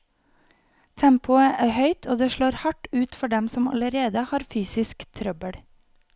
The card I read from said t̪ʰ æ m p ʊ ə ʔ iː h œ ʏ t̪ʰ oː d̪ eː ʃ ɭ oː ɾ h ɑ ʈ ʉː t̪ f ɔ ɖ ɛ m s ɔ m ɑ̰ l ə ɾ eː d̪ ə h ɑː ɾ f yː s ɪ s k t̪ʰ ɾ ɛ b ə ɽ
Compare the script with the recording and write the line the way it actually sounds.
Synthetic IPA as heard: t̪ʰ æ m p ʊ ə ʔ æː h œ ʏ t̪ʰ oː d̪ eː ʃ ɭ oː ɾ h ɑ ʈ ʉː t̪ f ɔ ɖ ɛ m s ɔ m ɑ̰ l ə ɾ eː d̪ ə h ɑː ɾ f yː s ɪ s k t̪ʰ ɾ œ b ə ɽ